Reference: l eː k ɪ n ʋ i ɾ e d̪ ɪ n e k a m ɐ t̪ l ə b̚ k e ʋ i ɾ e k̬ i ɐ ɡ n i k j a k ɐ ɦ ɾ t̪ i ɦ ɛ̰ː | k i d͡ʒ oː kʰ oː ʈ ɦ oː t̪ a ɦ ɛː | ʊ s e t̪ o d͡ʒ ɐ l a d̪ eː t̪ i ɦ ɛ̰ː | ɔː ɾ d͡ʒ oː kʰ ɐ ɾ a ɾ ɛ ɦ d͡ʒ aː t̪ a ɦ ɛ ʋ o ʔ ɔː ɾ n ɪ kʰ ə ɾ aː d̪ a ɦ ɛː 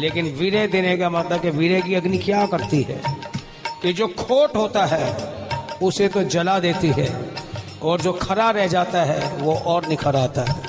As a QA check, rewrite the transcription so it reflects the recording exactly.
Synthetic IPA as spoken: l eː k ɪ n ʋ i ɾ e d̪ ɪ n e k a m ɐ t̪ l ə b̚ k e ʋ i ɾ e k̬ i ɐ ɡ n i k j a k ɐ ɾ t̪ i ɦ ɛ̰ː | k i d͡ʒ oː kʰ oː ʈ ɦ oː t̪ a ɦ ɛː | ʊ s e t̪ o d͡ʒ ɐ l a d̪ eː t̪ i ɦ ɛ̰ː | ɔː ɾ d͡ʒ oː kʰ ɐ ɾ a ɾ ɛ ɦ d͡ʒ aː t̪ a ɦ ɛ ʋ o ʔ ɔː ɾ n ɪ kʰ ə ɾ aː t̪ a ɦ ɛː